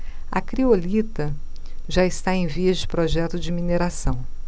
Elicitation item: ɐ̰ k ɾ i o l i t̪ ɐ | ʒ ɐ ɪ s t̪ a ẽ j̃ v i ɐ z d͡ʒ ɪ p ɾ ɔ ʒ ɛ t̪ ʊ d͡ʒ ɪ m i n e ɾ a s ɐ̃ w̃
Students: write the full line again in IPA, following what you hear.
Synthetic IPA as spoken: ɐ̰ k ɾ i o l i t̪ ɐ | ʒ a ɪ s t̪ a ẽ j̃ v i ɐ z d͡ʒ ɪ p ɾ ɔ ʒ ɛ t̪ ʊ d͡ʒ ɪ m i n e ɾ a s ɐ̃ w̃